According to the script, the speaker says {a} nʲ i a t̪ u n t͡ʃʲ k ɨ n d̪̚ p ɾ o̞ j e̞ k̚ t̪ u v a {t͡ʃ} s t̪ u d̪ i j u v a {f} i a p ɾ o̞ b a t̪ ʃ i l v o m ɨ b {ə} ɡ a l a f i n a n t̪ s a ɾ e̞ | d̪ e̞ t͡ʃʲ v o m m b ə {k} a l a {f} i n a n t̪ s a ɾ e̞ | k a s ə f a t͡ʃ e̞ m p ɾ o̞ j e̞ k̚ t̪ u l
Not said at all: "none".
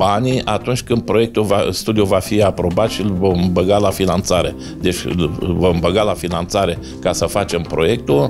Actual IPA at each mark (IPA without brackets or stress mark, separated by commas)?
a, none, f, ə, ɡ, f